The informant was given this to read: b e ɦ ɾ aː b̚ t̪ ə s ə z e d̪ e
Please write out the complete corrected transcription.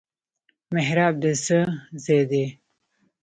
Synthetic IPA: m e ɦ ɾ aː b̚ d̪ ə s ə z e d̪ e